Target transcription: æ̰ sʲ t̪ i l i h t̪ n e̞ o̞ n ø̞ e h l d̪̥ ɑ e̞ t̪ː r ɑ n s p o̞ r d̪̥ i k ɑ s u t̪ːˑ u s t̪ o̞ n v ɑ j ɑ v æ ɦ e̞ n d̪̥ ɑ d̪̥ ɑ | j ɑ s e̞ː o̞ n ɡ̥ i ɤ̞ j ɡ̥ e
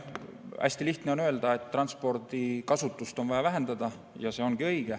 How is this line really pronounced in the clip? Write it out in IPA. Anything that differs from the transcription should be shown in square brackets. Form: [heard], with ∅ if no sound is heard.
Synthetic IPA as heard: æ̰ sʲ t̪ i l i h t̪ n e̞ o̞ n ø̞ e [∅] l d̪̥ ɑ e̞ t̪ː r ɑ n s p o̞ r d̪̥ i k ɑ s u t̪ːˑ u s t̪ o̞ n v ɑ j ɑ v æ ɦ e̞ n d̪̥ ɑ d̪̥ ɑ | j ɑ s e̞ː o̞ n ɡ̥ i ɤ̞ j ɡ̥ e